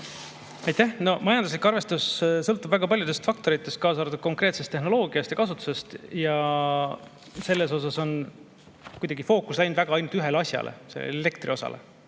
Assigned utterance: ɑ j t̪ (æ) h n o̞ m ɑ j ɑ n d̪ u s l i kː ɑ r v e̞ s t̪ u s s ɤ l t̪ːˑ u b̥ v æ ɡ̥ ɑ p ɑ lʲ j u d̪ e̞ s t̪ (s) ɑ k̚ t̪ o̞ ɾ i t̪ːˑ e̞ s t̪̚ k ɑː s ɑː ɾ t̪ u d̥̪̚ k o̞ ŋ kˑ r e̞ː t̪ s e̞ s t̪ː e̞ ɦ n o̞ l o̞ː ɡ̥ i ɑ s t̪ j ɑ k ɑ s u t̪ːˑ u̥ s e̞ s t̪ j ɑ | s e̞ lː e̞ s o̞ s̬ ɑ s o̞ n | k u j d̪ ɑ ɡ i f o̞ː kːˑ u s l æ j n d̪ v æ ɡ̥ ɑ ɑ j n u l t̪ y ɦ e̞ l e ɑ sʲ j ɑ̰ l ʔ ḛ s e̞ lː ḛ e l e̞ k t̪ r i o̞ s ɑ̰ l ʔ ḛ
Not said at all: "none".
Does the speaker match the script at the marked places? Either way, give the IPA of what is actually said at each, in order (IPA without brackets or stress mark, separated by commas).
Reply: æ, f